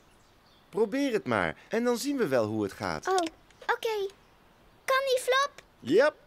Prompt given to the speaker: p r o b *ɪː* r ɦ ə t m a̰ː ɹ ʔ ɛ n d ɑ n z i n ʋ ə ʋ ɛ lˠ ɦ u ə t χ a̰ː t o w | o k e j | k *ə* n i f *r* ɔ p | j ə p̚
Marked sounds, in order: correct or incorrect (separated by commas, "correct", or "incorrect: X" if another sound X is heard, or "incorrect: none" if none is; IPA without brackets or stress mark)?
correct, incorrect: ɑ, incorrect: l